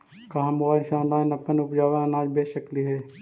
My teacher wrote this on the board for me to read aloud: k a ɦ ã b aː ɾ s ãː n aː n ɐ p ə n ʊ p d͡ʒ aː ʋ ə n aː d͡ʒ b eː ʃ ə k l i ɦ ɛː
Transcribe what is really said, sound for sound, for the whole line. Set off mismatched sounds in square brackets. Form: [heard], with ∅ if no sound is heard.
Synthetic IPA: k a ɦ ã [m] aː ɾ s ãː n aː n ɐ p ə n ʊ p d͡ʒ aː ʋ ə n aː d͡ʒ b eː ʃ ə k l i ɦ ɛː